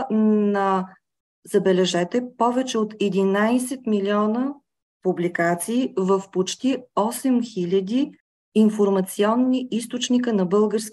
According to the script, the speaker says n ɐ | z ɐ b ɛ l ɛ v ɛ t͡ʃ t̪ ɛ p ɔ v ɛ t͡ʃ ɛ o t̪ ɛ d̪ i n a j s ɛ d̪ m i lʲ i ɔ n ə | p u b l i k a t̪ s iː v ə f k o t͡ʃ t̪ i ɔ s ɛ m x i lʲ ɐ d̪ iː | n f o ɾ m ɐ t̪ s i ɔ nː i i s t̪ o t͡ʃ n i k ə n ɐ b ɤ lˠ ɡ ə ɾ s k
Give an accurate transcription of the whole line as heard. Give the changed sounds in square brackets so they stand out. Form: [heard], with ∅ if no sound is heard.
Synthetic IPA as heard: n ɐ | z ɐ b ɛ l ɛ [ʒ] ɛ [∅] t̪ ɛ p ɔ v ɛ t͡ʃ ɛ o t̪ ɛ d̪ i n a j s ɛ [t̪] m i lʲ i ɔ n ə | p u b l i k a t̪ s iː v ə f [p] o t͡ʃ t̪ i ɔ s ɛ m x i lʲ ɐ d̪ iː | n f o ɾ m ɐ t̪ s i ɔ nː i i s t̪ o t͡ʃ n i k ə n ɐ b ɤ lˠ ɡ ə ɾ s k